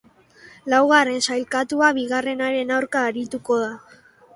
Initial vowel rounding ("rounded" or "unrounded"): unrounded